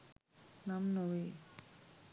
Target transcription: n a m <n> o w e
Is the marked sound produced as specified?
yes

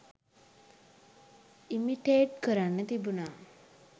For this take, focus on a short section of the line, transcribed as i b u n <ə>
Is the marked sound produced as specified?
no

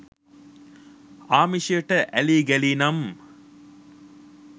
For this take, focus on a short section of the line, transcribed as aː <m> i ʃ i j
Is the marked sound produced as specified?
yes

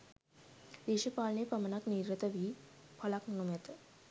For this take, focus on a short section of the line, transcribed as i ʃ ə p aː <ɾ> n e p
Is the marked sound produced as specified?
no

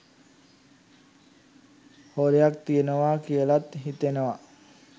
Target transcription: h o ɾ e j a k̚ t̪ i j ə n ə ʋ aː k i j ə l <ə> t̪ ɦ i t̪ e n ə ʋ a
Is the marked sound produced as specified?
no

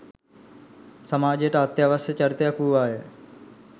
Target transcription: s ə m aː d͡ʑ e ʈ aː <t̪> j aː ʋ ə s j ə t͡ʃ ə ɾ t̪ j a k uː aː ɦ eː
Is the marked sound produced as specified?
yes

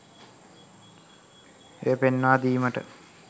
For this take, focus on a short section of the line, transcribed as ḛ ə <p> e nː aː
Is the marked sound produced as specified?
yes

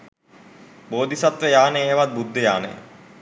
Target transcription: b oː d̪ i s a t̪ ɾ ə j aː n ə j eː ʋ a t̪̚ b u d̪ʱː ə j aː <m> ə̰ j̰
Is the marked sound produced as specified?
no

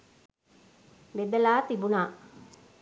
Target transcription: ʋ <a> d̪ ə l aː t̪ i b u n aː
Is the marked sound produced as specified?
no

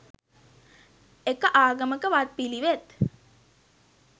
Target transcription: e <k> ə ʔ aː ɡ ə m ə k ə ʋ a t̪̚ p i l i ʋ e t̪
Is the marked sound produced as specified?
yes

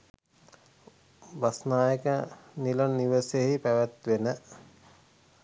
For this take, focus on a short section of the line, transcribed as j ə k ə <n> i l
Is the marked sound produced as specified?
yes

